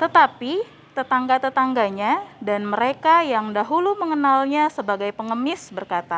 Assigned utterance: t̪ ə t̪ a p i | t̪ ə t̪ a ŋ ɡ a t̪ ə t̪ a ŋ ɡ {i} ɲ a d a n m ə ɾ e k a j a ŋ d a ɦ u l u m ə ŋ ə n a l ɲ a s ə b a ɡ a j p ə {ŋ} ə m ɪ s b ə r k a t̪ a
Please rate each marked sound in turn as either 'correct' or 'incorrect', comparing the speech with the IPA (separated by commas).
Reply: incorrect, correct